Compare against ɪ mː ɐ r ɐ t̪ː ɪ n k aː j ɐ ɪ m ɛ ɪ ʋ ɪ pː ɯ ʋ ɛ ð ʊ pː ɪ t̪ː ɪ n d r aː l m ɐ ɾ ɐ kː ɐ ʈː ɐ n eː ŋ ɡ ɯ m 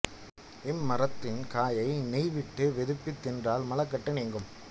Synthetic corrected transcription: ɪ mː ɐ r ɐ t̪ː ɪ n k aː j ɐ ɪ n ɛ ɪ ʋ ɪ ʈː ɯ ʋ ɛ ð ɯ pː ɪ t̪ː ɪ n d r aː l m ɐ l ɐ kː ɐ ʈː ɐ n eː ŋ ɡ ɯ m